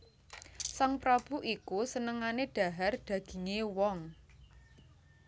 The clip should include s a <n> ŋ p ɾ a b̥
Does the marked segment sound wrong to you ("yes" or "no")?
yes